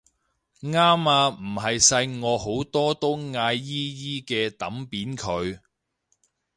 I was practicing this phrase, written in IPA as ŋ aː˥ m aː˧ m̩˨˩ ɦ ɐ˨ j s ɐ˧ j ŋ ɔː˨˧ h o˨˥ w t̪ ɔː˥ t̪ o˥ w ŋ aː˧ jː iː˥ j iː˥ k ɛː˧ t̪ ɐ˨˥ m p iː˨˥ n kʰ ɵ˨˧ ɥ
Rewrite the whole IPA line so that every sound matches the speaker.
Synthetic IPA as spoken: ŋ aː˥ m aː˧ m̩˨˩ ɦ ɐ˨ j s ɐ˧ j ŋ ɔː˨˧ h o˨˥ w t̪ ɔː˥ t̪ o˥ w ŋ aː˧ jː iː˥ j iː˥ k ɛː˧ t̪ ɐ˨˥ m p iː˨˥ n kʰ ɵ˨˧ ɥ